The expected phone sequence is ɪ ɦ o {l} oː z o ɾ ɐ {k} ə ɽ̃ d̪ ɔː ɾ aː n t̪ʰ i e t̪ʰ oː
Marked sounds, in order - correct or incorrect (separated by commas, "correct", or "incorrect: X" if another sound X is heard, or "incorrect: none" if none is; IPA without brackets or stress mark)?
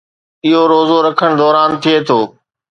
incorrect: ɾ, incorrect: kʰ